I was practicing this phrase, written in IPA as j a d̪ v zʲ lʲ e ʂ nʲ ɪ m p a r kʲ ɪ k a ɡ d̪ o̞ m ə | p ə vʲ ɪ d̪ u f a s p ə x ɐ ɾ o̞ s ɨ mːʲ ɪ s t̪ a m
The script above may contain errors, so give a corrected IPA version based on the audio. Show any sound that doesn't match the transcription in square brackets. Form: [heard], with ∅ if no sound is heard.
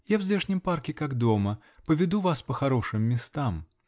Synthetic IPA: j a [∅] v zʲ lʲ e ʂ nʲ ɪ m p a r kʲ ɪ k a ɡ d̪ o̞ m ə | p ə vʲ ɪ d̪ u [v] a s p ə x ɐ ɾ o̞ [ʂ] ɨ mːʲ ɪ s t̪ a m